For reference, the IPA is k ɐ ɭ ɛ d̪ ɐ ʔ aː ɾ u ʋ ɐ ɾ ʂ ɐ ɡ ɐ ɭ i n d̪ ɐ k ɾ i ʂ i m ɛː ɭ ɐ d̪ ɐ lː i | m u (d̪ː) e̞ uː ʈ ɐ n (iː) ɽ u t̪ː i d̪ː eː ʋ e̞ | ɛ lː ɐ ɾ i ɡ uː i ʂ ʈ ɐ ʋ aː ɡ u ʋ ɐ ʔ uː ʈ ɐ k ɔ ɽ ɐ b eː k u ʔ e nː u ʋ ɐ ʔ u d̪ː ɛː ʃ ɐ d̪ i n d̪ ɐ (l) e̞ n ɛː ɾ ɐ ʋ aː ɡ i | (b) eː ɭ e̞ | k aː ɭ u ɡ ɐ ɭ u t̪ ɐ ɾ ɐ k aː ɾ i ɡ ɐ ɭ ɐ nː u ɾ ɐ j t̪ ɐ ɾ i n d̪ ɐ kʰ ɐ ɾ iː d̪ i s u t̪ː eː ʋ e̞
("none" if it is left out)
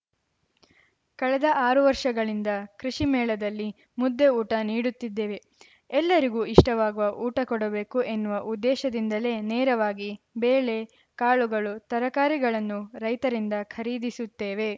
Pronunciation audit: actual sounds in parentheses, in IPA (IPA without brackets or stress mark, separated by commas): d̪ː, iː, l, b